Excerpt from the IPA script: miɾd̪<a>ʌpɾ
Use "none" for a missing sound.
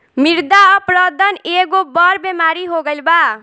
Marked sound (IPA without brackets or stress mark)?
a